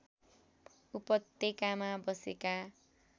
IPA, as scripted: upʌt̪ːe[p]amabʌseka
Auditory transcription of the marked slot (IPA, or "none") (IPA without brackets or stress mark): k